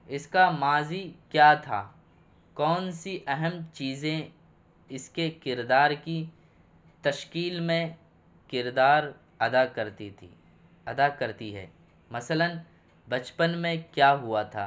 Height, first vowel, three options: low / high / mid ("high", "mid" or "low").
high